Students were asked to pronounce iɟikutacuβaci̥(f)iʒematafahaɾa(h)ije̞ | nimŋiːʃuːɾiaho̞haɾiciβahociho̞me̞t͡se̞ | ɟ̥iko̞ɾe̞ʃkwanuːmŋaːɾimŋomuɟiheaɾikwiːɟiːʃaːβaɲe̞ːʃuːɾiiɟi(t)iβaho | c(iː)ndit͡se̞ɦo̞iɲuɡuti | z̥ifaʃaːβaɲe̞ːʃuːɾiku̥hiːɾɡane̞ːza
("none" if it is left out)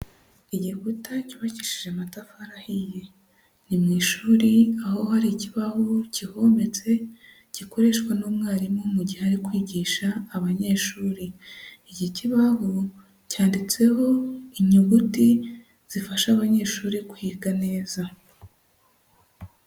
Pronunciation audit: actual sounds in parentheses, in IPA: ʃ, h, c, aː

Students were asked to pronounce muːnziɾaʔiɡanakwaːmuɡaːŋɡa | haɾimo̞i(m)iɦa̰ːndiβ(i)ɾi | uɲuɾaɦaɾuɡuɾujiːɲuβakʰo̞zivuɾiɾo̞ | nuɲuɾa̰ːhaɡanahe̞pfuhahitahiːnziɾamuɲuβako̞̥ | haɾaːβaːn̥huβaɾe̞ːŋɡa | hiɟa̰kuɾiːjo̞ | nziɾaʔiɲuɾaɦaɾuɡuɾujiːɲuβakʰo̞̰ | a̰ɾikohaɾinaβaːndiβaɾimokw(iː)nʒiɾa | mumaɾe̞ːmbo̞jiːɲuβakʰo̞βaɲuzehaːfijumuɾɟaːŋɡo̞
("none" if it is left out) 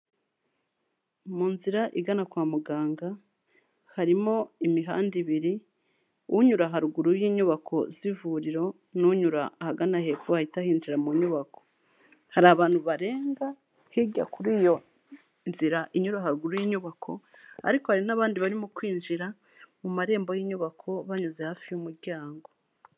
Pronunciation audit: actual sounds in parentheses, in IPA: m, i, iː

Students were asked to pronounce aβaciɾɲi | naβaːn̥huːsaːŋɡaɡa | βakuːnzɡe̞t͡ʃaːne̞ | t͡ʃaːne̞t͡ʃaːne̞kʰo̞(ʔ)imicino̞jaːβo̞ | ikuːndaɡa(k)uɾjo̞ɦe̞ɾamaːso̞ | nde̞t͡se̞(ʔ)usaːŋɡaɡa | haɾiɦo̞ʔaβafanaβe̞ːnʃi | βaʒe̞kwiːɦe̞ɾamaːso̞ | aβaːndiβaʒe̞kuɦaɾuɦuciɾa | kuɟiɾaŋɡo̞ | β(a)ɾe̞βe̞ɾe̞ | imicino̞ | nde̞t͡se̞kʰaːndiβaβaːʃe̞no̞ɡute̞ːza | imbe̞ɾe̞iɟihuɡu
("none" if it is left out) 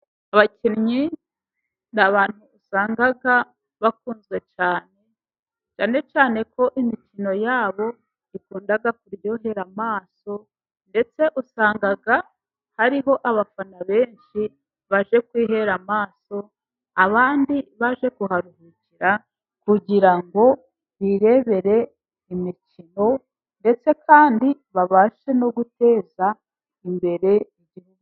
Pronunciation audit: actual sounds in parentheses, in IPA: ʔ, k, ʔ, i

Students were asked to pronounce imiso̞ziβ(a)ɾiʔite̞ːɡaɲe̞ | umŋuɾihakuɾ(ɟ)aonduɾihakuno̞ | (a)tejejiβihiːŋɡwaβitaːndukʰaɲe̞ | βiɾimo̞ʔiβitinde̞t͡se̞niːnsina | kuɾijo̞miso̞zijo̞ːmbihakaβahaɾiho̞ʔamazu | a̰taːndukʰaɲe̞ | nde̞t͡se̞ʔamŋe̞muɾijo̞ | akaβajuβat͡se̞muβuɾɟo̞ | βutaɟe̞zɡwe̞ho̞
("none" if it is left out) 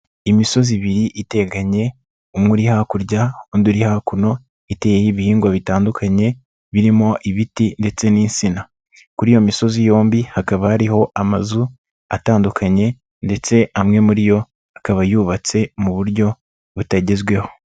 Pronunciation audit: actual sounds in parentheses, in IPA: i, ɟ, i

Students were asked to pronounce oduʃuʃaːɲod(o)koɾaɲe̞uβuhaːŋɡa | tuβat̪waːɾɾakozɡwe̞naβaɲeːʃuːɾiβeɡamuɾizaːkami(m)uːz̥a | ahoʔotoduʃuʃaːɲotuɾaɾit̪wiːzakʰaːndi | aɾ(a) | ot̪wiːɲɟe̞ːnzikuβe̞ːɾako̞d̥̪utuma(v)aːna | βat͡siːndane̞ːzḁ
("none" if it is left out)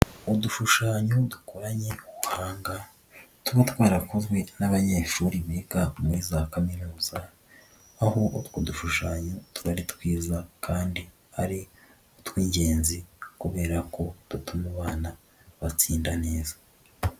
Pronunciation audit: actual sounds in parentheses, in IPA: u, n, i, β

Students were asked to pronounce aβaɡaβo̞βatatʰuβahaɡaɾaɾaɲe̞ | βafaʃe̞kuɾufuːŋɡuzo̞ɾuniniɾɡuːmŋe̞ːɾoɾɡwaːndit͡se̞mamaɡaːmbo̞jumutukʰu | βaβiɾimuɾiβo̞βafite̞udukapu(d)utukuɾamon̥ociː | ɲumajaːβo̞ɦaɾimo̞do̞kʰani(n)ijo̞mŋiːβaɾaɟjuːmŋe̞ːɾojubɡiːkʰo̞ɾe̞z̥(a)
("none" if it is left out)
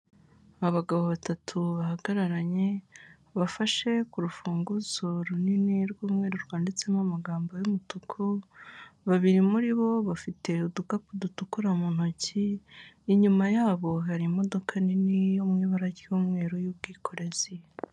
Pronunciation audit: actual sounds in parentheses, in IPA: d, n, i

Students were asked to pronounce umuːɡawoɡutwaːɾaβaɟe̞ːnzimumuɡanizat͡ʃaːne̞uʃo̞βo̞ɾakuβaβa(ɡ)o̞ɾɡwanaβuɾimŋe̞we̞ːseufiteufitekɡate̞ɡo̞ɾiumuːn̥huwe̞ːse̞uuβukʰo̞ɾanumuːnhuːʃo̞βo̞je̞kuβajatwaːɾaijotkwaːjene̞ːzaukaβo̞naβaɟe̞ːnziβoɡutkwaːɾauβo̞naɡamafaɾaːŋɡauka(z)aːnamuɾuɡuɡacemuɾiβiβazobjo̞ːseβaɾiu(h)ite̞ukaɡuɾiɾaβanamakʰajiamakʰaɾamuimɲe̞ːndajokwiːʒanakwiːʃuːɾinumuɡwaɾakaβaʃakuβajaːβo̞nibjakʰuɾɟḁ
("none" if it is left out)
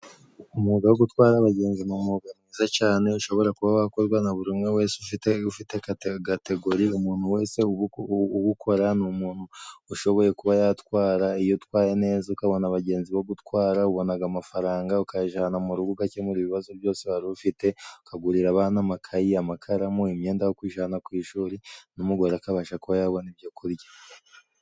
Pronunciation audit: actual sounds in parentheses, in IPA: k, ʒ, f

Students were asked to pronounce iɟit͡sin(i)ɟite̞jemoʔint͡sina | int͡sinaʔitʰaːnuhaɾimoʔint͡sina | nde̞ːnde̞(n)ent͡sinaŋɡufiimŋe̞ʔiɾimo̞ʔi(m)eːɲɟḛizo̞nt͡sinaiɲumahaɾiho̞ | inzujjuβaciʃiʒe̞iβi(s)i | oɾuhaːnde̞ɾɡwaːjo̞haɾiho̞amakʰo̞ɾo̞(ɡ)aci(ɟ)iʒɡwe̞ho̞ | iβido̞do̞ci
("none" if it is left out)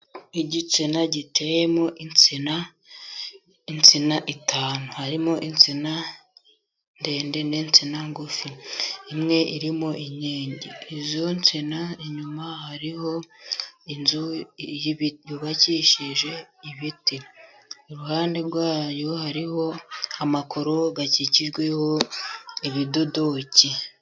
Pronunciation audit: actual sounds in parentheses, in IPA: a, n, ɲ, t, ɡ, c

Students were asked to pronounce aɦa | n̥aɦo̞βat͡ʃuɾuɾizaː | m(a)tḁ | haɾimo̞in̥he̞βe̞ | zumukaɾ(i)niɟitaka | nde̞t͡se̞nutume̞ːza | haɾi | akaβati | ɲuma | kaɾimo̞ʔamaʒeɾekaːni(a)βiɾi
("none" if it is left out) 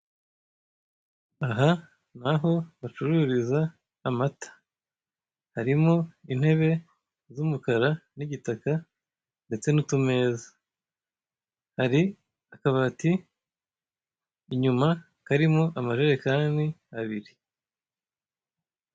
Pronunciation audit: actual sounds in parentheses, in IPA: a, a, a

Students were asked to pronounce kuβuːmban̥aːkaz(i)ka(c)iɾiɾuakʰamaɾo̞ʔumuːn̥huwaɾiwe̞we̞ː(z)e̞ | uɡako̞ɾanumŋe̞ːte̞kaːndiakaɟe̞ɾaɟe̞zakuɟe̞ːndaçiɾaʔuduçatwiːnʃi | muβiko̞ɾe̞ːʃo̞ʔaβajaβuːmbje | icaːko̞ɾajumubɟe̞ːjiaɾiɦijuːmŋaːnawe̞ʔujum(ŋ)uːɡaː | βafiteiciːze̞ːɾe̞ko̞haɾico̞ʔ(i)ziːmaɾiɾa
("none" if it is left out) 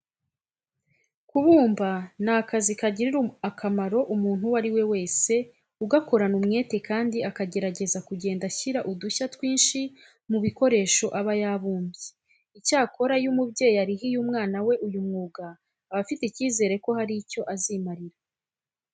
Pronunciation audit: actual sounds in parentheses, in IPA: i, ɟ, s, ŋ, a

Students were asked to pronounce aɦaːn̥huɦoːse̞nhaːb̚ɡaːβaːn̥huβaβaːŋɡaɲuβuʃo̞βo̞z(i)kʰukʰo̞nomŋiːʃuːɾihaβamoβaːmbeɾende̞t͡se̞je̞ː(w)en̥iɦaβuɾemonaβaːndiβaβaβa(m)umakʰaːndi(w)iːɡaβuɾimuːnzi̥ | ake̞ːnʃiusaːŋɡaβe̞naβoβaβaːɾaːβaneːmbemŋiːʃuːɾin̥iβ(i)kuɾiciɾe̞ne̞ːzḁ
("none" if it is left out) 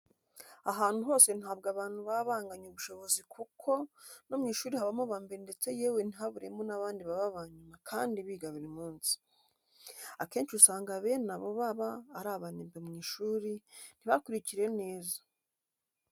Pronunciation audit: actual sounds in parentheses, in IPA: i, w, ɲ, β, a

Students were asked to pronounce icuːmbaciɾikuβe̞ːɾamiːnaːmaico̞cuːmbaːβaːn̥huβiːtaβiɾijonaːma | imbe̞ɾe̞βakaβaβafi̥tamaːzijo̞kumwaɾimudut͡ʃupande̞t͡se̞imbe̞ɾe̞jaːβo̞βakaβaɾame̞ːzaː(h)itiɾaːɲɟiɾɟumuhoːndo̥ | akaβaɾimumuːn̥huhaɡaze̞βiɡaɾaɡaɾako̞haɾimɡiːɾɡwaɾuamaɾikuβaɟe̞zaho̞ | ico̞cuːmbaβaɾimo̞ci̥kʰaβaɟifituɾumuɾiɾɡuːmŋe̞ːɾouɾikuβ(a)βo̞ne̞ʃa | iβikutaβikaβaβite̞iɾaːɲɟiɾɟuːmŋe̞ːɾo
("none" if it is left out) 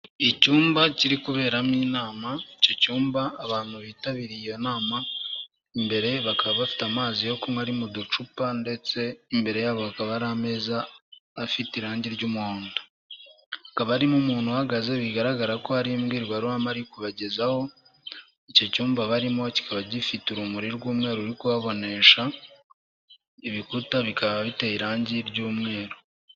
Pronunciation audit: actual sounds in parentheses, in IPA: f, a

